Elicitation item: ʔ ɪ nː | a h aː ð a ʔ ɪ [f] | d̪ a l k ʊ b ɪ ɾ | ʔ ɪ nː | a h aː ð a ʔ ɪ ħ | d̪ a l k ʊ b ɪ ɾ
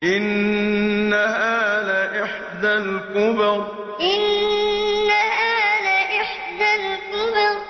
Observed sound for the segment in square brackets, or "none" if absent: ħ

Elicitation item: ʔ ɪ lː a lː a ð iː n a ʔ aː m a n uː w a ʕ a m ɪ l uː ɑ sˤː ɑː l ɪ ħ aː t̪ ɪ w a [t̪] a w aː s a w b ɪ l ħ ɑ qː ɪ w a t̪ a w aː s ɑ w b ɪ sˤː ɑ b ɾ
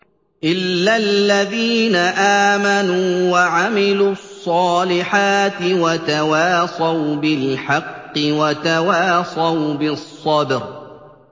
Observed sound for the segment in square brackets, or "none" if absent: t̪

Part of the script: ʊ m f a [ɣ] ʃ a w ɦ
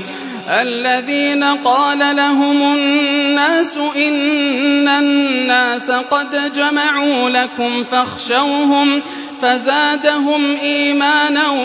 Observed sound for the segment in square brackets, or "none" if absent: x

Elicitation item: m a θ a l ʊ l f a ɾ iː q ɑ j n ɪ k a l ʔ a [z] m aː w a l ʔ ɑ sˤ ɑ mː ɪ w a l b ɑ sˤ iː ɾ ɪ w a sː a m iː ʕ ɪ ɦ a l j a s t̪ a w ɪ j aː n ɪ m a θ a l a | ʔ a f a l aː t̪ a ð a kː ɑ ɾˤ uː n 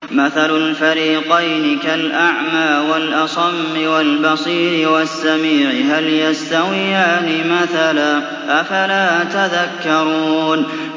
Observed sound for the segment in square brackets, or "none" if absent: ʕ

